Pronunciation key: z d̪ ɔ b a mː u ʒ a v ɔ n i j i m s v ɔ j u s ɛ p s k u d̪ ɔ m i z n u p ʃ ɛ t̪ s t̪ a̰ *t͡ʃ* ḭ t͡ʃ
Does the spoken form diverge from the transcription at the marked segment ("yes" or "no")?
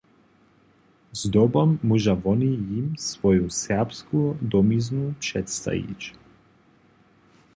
yes